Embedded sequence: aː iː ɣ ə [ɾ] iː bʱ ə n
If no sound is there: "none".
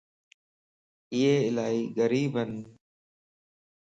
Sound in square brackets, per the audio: ɾ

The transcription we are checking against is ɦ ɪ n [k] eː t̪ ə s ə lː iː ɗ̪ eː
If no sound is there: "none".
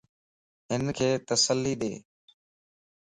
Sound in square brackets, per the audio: kʰ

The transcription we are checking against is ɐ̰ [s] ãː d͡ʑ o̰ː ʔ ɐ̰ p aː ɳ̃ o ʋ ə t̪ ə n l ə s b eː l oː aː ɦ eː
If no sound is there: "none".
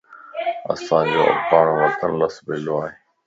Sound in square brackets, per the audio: s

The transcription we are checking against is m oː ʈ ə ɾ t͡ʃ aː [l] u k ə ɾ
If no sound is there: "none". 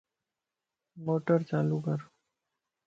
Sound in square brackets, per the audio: l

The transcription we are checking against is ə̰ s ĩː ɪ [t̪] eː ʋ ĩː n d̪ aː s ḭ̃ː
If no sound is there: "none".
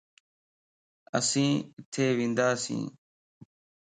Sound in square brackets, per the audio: t̪ʰ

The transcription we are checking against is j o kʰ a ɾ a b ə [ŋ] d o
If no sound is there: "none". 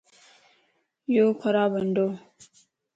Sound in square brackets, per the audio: n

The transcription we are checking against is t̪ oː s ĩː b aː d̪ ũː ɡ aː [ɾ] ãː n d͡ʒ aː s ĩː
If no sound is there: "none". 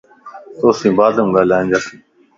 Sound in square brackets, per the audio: l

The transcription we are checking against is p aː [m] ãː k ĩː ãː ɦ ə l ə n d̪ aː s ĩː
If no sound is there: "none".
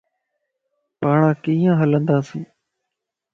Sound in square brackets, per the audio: ɳ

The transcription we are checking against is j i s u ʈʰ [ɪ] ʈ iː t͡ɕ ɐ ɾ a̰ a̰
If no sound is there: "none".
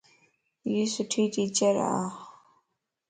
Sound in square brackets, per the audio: i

